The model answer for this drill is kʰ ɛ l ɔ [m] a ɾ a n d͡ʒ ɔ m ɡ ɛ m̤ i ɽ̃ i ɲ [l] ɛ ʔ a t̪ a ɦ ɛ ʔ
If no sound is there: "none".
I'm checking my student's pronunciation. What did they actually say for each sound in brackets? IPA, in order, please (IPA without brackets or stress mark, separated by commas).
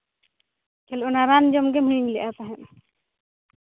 n, l